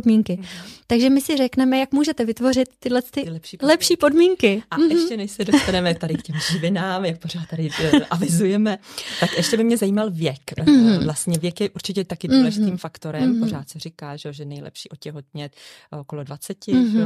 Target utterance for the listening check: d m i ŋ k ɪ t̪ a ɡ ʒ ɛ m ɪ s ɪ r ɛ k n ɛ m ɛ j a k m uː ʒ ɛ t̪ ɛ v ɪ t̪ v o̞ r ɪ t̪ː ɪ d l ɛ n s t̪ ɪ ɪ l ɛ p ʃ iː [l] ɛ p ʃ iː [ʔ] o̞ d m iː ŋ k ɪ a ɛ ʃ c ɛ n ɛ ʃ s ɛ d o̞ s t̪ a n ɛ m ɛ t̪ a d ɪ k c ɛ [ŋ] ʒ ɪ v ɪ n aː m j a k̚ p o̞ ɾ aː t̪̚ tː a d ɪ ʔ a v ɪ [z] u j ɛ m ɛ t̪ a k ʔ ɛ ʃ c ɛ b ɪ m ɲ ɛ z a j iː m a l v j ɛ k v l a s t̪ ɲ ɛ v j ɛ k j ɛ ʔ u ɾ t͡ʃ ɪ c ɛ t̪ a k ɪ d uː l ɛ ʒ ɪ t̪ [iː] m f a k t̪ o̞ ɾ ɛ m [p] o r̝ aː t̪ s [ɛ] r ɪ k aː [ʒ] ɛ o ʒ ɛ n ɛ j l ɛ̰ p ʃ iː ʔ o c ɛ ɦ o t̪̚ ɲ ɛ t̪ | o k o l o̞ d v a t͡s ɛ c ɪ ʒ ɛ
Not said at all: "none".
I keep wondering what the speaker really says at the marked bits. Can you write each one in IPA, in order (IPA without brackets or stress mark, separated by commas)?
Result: l, p, m, z, iː, p, ɛ, ʒ